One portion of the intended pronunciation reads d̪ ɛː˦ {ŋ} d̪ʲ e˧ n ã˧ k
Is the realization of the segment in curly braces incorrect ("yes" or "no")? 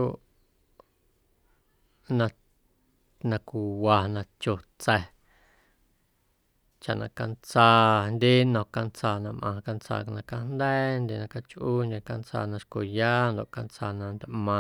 yes